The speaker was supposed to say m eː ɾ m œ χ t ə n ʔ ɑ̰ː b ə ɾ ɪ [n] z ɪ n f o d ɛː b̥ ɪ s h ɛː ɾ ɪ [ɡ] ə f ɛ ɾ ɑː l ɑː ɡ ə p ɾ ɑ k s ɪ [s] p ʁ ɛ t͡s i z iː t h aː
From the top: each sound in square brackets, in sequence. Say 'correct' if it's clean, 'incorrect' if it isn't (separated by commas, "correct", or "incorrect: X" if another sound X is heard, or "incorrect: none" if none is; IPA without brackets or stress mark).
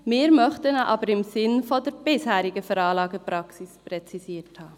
incorrect: m, correct, correct